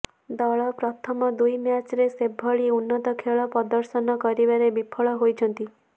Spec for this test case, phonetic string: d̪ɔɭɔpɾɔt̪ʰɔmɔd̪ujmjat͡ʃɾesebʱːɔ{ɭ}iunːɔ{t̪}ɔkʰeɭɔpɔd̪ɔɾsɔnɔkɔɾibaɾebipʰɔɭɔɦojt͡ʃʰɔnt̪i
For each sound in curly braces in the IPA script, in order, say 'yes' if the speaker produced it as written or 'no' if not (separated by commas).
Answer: yes, yes